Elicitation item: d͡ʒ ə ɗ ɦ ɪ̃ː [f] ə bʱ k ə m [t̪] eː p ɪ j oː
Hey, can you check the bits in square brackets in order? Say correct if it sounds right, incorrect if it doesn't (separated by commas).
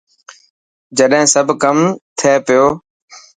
incorrect, incorrect